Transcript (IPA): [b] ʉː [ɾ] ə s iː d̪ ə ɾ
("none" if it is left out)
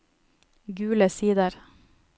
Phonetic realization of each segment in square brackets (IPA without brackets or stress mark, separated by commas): ɡ, l